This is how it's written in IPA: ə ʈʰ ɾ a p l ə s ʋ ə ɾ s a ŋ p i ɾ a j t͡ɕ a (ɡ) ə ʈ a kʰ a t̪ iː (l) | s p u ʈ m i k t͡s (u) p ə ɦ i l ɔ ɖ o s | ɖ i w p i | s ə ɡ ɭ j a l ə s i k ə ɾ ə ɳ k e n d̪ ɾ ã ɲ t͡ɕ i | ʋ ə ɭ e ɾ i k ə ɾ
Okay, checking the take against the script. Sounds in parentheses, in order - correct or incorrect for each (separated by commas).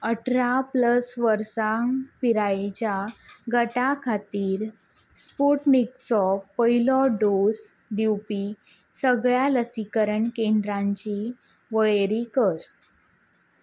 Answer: correct, incorrect, incorrect